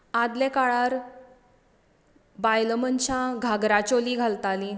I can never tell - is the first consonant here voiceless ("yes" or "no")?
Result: no